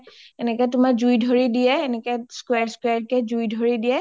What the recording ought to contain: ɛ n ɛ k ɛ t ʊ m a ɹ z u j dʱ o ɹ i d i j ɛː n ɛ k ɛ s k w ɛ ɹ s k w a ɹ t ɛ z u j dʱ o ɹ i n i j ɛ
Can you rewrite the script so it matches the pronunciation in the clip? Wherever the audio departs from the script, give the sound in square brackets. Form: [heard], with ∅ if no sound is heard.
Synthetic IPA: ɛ n ɛ k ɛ t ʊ m a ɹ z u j dʱ o ɹ i d i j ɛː n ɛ k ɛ s k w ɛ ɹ s k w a ɹ [k] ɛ z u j dʱ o ɹ i [d] i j ɛ